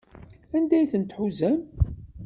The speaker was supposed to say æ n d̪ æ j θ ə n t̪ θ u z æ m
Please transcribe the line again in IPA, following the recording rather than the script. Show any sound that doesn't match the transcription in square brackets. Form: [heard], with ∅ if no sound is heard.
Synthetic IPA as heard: æ n d̪ æ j θ ə n t̪ [ħ] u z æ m